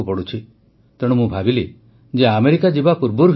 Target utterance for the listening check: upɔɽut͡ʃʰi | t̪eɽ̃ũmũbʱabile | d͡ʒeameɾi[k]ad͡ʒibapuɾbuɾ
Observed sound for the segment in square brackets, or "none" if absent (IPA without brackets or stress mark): k